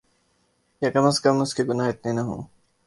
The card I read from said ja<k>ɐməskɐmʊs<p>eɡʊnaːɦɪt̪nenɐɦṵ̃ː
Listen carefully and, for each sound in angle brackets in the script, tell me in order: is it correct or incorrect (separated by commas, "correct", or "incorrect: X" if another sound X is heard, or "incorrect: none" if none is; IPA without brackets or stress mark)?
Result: correct, incorrect: k